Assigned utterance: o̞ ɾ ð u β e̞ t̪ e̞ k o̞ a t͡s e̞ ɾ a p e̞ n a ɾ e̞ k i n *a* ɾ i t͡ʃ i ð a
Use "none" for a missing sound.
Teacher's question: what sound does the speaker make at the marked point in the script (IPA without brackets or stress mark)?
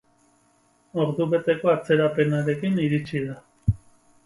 i